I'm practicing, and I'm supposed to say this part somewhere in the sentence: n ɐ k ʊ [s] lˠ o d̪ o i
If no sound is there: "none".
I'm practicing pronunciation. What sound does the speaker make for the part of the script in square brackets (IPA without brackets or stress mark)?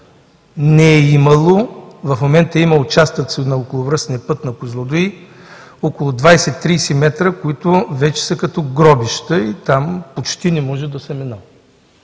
z